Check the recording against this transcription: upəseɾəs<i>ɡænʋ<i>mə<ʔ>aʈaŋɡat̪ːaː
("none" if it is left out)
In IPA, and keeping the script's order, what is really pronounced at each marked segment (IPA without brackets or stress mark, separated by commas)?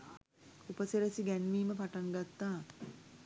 i, iː, p